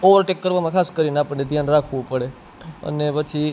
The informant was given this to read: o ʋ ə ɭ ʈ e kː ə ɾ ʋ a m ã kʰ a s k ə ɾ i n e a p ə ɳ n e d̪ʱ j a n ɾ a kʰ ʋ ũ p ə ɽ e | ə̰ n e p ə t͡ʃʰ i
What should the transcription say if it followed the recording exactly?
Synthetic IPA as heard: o ʋ ə ɾ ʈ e kː ə ɾ ʋ a m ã kʰ a s k ə ɾ i n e a p ə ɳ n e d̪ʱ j a n ɾ a kʰ ʋ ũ p ə ɽ e | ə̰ n e p ə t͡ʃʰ i